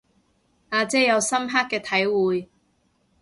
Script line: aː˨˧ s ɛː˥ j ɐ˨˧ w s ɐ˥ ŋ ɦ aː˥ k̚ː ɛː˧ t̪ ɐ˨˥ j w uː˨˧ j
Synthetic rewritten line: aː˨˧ t͡s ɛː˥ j ɐ˨˧ w s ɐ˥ m ɦ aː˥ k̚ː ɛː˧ t̪ʰ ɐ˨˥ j w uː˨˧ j